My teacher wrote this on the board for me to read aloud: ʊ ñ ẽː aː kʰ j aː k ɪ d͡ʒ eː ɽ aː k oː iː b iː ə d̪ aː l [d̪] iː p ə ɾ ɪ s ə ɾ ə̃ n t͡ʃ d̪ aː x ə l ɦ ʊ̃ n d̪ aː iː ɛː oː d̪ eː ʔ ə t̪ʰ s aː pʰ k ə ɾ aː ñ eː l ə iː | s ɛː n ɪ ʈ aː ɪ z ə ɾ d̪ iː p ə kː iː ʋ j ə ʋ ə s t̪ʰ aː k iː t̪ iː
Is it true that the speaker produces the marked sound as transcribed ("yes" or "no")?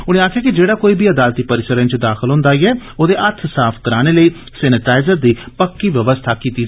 no